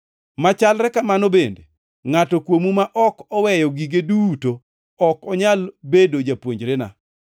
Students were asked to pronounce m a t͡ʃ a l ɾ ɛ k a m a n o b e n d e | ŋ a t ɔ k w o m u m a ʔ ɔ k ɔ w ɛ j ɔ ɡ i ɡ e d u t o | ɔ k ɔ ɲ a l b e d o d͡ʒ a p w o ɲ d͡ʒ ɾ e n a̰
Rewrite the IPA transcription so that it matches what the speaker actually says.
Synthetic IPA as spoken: m a t͡ʃ a l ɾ ɛ k a m a n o b e n d e | ŋ a t ɔ k w o m u m a ʔ ɔ k ɔ w ɛ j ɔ ɡ i ɡ e d u t o | ɔ k ɔ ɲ a l b e d o d͡ʒ a p w o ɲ d͡ʒ ɾ e n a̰